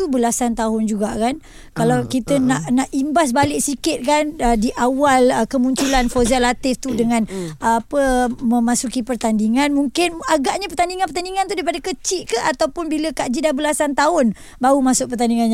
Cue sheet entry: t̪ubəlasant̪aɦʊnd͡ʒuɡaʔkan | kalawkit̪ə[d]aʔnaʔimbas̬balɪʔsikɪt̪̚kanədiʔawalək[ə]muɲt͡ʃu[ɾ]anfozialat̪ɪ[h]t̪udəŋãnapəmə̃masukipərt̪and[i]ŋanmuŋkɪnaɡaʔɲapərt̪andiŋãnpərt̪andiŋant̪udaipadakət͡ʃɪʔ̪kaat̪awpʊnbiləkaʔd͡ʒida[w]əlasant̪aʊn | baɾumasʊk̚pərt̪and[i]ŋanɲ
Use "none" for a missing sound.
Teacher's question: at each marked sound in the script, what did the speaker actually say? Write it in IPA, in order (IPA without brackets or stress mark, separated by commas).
n, ə, l, f, i, b, i